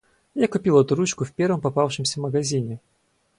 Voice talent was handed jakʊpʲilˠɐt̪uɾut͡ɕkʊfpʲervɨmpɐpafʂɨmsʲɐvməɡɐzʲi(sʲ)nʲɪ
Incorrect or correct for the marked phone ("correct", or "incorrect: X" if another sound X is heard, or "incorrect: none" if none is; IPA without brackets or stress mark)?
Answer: incorrect: none